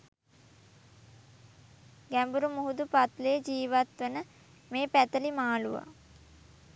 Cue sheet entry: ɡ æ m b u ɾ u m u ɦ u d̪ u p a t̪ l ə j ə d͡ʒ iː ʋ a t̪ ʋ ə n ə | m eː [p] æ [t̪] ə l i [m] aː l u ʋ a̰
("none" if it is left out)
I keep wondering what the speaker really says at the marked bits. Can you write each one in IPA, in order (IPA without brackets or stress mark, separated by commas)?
p, t̪, m